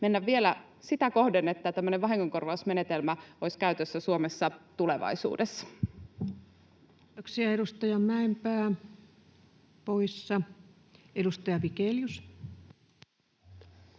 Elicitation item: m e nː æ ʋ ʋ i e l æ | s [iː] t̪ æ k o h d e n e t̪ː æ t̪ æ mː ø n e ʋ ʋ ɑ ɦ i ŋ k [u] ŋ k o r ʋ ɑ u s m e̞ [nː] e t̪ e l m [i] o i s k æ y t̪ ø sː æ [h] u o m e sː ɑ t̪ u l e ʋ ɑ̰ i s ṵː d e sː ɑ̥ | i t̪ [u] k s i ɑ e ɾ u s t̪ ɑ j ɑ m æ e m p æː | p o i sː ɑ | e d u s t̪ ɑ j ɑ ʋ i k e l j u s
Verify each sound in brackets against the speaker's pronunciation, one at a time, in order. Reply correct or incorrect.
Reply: incorrect: i, incorrect: o, incorrect: n, incorrect: æ, incorrect: s, incorrect: o

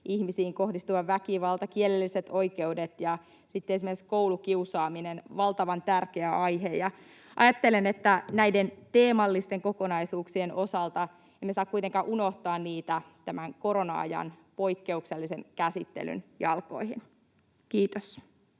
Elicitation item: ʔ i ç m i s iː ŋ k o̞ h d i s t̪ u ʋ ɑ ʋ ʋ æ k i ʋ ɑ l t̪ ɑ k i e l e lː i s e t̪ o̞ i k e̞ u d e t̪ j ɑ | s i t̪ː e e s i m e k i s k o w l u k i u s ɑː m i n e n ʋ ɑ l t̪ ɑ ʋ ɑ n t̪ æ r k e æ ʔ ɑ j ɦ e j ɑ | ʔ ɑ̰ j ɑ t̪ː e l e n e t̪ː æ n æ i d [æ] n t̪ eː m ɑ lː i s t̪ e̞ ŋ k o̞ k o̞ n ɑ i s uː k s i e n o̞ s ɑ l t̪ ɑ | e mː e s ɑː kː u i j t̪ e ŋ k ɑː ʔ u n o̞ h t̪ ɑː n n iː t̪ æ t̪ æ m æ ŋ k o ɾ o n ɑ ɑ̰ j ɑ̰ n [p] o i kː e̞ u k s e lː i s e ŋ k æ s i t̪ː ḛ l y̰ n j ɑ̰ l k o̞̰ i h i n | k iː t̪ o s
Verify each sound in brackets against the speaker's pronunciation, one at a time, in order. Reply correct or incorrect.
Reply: incorrect: e, correct

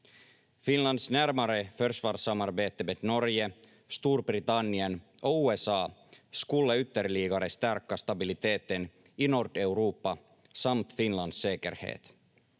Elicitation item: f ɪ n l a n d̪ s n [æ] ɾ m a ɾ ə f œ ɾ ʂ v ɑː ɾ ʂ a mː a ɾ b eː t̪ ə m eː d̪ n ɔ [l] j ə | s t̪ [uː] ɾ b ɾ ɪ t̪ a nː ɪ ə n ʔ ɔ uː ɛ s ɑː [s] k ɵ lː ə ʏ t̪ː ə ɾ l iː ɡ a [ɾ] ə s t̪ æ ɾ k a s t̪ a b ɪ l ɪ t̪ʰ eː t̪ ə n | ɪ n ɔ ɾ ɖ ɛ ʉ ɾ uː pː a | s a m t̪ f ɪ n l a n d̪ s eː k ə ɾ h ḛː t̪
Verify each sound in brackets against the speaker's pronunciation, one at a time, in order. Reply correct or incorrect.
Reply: correct, incorrect: ɾ, correct, correct, correct

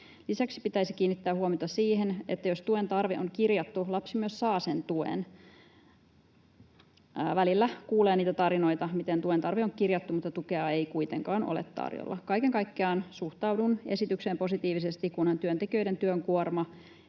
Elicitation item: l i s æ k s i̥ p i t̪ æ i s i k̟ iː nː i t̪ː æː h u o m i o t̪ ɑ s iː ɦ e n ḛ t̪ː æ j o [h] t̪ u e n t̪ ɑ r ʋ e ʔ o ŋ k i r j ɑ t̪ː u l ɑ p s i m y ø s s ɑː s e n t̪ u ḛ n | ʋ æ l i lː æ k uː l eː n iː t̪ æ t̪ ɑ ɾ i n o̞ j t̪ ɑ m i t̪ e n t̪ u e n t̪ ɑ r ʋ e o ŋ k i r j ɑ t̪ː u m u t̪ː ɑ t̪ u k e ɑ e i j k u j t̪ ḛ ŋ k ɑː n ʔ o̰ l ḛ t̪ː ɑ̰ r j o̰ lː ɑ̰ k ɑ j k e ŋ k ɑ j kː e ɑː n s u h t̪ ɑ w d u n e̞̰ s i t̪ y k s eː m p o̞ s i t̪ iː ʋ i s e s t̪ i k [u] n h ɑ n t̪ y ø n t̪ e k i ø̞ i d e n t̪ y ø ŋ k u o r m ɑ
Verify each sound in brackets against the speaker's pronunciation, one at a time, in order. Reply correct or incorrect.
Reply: incorrect: s, correct

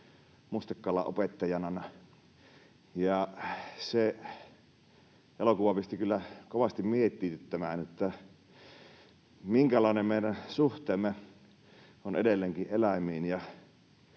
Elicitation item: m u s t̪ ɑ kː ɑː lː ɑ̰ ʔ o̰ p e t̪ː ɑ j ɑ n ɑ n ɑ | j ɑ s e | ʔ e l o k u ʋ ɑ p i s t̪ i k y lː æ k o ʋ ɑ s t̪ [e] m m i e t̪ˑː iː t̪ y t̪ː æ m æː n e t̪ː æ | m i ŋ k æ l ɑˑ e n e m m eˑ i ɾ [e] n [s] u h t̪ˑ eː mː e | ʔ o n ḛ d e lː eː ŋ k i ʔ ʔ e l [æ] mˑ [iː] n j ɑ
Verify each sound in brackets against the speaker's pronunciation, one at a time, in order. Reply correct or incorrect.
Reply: incorrect: i, incorrect: æ, correct, correct, correct

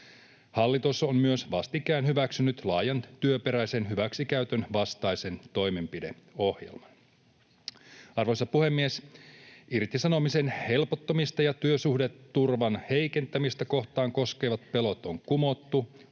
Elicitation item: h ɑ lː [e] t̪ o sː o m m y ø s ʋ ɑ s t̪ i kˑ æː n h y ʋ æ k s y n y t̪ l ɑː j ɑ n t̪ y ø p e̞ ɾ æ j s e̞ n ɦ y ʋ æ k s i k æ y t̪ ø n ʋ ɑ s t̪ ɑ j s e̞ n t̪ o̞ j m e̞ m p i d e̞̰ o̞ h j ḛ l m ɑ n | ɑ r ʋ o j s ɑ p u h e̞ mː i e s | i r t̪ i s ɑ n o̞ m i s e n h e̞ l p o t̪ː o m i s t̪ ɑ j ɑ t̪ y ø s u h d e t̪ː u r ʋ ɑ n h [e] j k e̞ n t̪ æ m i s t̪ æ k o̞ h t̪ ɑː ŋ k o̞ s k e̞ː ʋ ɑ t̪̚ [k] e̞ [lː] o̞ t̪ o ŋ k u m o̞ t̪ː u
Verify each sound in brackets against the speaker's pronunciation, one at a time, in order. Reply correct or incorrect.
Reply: incorrect: i, correct, incorrect: p, incorrect: l

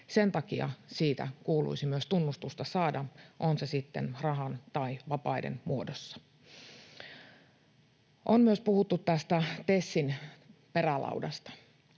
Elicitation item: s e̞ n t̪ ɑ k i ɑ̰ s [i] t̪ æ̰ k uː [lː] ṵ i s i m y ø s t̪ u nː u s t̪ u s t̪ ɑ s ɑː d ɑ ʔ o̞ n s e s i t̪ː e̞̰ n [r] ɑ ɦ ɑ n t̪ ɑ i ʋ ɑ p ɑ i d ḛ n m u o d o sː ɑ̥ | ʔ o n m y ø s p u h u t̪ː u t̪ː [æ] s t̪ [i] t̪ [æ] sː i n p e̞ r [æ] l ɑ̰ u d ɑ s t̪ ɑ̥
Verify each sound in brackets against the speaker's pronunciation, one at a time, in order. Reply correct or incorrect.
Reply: incorrect: iː, incorrect: l, correct, correct, incorrect: æ, incorrect: e, correct

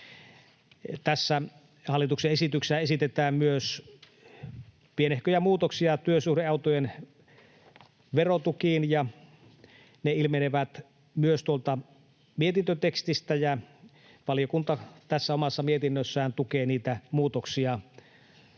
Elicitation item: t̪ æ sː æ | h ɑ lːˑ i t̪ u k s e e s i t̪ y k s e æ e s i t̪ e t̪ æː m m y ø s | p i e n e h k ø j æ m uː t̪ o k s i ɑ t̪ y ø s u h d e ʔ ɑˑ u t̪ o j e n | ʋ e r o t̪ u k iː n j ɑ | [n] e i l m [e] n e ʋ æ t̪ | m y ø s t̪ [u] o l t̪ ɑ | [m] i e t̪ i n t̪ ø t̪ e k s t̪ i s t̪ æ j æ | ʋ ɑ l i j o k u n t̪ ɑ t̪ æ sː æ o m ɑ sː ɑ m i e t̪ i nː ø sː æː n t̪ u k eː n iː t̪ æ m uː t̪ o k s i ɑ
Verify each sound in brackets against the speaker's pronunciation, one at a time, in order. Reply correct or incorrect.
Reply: correct, correct, correct, correct

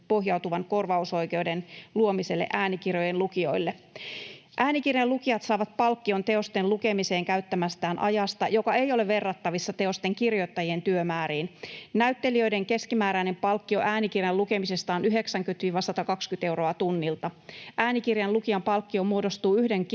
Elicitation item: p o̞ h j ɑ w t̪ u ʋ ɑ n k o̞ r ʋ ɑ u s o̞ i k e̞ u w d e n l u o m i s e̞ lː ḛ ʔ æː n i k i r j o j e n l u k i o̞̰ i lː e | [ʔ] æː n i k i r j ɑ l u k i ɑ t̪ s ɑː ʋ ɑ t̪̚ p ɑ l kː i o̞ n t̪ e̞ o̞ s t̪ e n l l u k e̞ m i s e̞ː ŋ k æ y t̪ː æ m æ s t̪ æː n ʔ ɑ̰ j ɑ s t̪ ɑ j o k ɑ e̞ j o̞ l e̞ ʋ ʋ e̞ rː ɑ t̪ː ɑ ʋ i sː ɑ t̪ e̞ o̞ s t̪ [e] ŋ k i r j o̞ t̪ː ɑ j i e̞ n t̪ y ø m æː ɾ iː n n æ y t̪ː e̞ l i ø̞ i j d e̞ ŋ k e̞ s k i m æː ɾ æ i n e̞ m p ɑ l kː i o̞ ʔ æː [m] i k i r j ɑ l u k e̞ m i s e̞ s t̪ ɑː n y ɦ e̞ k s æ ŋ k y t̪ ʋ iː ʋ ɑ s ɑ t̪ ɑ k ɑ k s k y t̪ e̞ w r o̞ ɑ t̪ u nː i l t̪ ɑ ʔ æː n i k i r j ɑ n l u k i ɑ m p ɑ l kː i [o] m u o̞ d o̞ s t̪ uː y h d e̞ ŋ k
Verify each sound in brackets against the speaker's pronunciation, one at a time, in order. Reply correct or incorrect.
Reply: correct, correct, incorrect: n, correct

